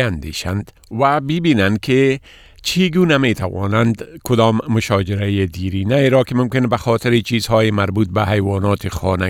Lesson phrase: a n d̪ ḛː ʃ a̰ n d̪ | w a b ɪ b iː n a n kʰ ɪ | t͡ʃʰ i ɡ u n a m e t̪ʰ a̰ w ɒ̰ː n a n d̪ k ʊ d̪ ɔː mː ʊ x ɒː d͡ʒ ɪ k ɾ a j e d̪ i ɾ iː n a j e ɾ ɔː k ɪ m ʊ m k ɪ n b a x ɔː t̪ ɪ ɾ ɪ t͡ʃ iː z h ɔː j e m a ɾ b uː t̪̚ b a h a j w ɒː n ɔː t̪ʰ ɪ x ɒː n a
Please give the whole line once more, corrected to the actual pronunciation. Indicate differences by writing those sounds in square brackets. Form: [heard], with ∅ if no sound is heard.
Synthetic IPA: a n d̪ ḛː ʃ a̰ n d̪ | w a b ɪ b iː n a n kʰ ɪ | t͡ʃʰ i ɡ u n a m e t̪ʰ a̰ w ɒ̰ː n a n d̪ k ʊ d̪ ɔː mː ʊ [ʃ] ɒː d͡ʒ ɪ [∅] ɾ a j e d̪ i ɾ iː n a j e ɾ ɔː k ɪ m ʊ m k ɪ n b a x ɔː t̪ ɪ ɾ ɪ t͡ʃ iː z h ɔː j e m a ɾ b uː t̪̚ b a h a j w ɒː n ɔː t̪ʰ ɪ x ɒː n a